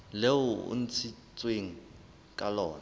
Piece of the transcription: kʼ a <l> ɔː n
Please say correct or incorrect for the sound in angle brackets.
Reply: correct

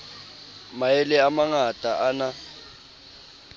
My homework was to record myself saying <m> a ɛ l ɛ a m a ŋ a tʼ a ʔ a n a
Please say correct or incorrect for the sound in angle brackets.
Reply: correct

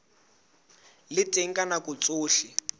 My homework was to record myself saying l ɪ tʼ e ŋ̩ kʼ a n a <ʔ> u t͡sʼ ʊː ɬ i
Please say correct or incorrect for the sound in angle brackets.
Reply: incorrect: k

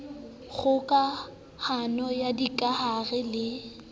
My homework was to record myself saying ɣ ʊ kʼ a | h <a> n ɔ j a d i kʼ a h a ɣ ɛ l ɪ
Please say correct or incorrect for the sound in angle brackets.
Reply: correct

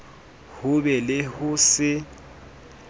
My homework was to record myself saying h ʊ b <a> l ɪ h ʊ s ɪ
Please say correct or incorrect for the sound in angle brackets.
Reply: incorrect: ɛ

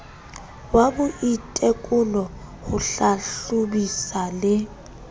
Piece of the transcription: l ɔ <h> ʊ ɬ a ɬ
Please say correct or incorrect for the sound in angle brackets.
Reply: correct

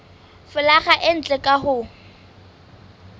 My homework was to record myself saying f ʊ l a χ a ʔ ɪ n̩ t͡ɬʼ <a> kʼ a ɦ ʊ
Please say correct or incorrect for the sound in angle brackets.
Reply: incorrect: ɛ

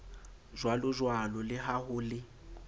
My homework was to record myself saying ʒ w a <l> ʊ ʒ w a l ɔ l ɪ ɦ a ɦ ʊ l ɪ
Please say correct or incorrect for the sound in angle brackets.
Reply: correct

